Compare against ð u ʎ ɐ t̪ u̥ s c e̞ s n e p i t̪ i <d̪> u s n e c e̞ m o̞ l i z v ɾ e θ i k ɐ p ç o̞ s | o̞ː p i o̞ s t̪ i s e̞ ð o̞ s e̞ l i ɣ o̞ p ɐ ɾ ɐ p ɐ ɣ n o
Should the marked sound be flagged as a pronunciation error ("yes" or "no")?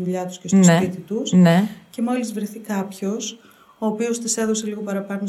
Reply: yes